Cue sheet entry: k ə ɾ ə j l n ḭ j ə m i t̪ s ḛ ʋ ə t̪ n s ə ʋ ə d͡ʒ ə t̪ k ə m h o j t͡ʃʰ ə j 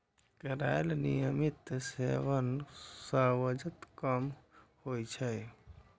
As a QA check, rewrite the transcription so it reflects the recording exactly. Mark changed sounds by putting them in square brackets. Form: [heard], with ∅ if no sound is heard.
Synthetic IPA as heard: k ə ɾ [a] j l n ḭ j ə m i t̪ s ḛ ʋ ə [∅] n s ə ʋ ə d͡ʒ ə t̪ k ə m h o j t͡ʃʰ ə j